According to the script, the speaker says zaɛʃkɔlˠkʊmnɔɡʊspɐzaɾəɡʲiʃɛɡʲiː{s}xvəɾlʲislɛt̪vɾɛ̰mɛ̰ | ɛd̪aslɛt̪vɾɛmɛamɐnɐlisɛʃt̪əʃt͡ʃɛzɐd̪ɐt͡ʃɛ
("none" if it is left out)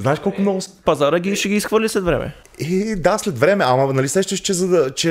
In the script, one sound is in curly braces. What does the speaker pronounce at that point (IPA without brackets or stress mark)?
s